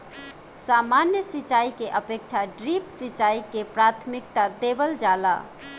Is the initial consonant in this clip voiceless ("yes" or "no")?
yes